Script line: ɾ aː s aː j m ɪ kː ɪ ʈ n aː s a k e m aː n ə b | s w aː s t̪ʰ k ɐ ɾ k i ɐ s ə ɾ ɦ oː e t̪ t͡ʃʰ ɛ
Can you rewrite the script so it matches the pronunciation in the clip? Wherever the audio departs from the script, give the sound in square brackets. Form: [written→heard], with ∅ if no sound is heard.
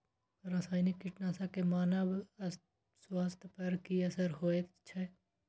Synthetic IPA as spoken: ɾ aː s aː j [m→n] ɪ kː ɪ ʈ n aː s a k e m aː n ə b | s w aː s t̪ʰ [k→p] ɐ ɾ k i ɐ s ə ɾ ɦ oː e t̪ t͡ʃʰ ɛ